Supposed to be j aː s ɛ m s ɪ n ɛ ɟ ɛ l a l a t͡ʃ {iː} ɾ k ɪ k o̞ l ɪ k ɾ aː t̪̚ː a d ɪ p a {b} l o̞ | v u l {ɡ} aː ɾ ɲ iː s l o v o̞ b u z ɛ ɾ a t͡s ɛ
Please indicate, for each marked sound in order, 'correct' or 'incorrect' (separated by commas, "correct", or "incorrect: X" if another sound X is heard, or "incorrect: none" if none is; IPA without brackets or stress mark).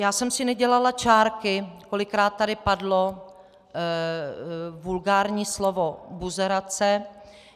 incorrect: aː, incorrect: d, correct